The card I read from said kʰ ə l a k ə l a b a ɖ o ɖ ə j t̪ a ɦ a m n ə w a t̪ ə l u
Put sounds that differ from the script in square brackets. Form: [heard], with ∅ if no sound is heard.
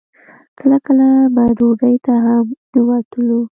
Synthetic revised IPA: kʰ ə l a k ə l a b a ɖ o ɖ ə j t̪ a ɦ a m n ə w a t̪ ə l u